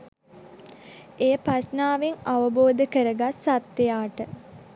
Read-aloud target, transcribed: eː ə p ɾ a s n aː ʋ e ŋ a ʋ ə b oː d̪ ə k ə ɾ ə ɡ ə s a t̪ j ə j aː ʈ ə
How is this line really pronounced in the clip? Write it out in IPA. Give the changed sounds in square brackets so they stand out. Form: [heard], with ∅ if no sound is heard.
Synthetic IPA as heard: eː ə p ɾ a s n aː ʋ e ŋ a ʋ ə b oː d̪ ə k ə ɾ ə ɡ [a] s a t̪ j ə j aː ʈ ə